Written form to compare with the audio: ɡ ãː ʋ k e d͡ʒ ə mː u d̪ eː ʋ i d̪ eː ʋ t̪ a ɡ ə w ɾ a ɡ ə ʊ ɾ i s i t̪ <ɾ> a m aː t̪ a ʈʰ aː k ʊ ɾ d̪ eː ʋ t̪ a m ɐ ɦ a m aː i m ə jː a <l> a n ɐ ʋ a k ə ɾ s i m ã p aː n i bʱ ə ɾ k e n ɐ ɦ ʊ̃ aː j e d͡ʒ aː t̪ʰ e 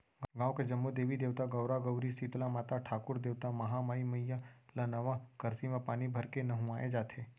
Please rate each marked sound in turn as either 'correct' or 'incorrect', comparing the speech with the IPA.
incorrect: l, correct

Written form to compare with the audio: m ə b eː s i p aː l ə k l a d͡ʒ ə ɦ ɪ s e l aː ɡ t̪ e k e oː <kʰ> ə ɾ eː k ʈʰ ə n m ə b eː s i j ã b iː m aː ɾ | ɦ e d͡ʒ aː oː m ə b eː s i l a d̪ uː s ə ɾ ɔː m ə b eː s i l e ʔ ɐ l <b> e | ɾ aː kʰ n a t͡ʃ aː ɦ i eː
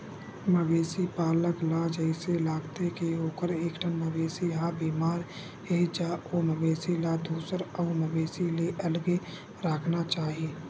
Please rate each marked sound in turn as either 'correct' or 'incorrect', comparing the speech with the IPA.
incorrect: k, incorrect: ɡ

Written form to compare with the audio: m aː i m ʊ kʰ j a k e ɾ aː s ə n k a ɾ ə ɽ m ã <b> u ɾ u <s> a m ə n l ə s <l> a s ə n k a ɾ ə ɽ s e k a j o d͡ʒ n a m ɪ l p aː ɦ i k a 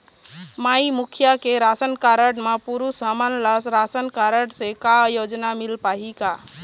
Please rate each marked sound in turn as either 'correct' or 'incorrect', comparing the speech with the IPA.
incorrect: p, correct, incorrect: ɾ

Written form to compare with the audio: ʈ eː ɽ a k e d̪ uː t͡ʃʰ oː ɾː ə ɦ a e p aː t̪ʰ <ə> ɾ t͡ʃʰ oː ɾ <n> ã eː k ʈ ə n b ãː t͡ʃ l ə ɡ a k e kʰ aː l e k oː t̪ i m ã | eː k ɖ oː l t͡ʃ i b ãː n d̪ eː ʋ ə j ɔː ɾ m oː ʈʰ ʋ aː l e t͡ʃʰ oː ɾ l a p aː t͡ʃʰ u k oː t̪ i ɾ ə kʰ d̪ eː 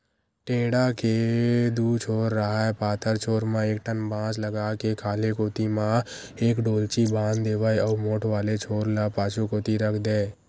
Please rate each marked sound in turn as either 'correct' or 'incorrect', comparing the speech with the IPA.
correct, incorrect: m

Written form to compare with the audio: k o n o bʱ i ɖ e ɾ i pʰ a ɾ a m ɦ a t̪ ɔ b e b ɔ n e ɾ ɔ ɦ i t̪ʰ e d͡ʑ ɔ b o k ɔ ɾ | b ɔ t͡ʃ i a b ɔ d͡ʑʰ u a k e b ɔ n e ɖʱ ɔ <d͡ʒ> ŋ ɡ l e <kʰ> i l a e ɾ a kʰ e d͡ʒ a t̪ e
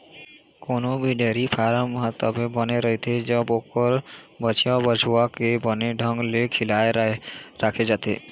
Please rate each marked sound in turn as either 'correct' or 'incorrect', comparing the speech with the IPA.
incorrect: none, correct

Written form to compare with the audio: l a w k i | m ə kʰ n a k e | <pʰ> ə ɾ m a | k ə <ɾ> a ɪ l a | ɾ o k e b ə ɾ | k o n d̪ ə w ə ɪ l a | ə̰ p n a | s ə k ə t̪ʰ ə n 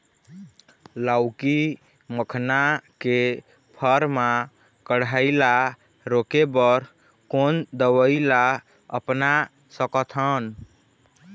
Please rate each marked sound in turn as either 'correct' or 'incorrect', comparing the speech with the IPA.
correct, incorrect: ɽ

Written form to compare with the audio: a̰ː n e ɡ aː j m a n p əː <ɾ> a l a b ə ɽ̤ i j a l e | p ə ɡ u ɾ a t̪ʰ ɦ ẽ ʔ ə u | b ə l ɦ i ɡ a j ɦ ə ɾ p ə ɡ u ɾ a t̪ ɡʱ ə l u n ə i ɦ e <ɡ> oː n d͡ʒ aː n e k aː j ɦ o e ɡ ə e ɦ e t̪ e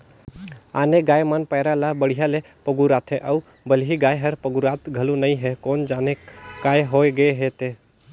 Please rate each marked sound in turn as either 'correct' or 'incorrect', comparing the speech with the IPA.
correct, incorrect: k

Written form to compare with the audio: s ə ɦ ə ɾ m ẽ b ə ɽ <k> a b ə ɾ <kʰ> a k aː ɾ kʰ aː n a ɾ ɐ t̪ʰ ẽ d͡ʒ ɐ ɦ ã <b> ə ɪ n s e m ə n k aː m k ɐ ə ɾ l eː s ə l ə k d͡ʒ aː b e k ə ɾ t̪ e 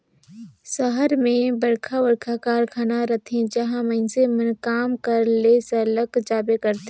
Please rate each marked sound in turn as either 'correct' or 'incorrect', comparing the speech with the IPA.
incorrect: kʰ, correct, incorrect: m

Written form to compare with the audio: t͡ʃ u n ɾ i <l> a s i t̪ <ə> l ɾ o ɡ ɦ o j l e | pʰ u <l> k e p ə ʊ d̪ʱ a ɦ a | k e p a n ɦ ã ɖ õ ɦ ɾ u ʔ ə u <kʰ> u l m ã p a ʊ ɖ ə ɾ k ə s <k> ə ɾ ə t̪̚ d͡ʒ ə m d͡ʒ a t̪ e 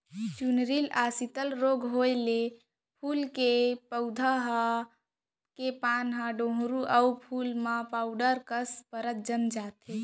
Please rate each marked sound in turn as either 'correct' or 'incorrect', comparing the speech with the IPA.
correct, correct, correct, incorrect: pʰ, incorrect: p

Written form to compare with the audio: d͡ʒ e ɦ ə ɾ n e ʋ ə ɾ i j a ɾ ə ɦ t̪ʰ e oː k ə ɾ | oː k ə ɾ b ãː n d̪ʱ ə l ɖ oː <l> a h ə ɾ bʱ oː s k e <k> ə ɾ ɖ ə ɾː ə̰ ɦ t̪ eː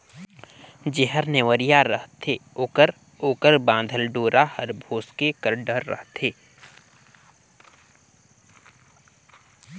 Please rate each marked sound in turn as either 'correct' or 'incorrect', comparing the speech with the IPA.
incorrect: ɾ, correct

